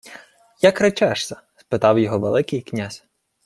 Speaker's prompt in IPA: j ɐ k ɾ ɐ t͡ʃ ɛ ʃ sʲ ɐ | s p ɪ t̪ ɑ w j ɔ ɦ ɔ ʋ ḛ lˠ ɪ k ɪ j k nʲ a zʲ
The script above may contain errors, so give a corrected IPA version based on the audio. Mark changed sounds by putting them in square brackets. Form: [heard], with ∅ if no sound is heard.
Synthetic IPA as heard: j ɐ k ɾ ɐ t͡ʃ ɛ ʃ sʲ ɐ | s p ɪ t̪ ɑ w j ɔ ɦ ɔ ʋ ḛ lˠ ɪ k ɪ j k nʲ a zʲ